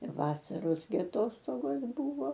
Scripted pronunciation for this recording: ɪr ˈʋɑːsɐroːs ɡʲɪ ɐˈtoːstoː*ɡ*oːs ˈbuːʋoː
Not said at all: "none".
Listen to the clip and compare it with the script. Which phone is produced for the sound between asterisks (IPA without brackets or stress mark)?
ɡ